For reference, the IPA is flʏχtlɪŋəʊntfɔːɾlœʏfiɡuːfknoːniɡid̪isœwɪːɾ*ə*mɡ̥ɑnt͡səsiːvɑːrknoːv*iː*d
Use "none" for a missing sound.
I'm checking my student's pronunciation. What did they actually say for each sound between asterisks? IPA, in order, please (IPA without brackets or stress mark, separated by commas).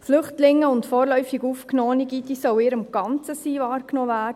ə, æː